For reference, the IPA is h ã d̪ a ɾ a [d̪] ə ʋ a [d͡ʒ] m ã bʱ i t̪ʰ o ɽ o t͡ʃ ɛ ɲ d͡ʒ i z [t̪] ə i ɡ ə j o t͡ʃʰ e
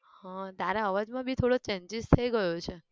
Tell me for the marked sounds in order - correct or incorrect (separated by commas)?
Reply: incorrect, correct, incorrect